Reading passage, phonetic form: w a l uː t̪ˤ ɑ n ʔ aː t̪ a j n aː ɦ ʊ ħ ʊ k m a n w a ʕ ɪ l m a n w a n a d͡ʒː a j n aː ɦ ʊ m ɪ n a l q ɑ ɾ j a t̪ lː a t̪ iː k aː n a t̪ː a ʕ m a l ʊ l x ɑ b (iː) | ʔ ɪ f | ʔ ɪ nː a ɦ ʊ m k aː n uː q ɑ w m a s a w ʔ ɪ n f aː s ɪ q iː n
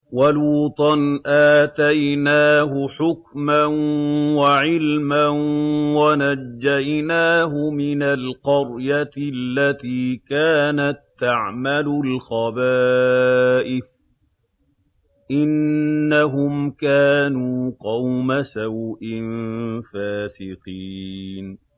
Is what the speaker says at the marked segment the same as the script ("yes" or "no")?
no